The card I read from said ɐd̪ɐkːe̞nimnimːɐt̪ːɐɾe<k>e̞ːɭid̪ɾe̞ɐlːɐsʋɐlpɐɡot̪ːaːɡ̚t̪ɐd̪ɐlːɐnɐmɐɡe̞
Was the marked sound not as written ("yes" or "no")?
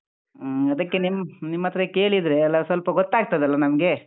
no